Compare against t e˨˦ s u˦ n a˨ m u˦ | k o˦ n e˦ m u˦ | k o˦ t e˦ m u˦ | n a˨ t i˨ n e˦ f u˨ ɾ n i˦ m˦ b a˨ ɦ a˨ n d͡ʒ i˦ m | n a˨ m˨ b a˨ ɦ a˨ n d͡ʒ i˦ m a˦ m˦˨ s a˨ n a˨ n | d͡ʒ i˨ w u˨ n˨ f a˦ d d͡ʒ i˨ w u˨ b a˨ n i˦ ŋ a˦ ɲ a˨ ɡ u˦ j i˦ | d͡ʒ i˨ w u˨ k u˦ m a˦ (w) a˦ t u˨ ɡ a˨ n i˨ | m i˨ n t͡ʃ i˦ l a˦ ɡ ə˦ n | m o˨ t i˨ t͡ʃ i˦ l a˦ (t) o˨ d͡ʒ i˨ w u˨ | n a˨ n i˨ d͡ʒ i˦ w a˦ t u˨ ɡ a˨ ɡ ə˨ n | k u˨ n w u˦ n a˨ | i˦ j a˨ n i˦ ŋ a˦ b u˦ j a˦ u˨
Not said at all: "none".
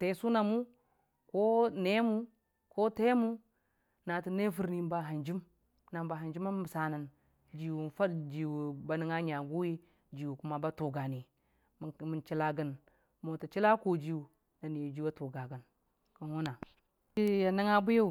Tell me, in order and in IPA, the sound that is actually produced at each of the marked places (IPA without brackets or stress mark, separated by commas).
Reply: b, k